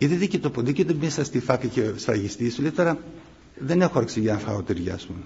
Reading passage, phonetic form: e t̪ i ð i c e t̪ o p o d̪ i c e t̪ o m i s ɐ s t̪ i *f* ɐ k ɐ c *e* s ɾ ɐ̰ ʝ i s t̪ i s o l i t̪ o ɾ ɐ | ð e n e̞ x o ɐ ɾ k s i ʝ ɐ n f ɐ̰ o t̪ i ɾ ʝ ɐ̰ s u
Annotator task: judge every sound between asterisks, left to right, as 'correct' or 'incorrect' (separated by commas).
correct, correct